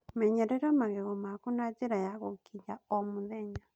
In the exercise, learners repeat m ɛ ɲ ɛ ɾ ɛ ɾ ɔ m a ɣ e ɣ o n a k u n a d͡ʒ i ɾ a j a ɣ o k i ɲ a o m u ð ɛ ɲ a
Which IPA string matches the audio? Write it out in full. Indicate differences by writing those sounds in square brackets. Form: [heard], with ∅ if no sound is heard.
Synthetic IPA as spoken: m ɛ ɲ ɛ ɾ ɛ ɾ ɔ m a ɣ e ɣ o [m] a k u n a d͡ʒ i ɾ a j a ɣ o k i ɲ a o m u ð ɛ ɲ a